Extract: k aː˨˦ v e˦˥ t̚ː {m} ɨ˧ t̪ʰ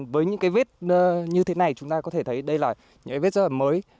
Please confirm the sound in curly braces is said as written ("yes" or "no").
no